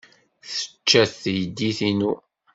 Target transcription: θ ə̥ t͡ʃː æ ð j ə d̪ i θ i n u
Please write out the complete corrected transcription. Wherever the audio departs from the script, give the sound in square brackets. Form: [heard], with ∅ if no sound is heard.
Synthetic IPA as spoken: θ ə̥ t͡ʃː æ [θ] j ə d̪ i θ i n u